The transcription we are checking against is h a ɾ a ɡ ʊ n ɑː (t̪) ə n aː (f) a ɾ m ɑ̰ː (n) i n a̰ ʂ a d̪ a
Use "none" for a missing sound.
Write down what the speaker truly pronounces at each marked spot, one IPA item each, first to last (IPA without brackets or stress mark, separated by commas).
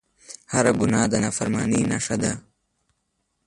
d̪, f, n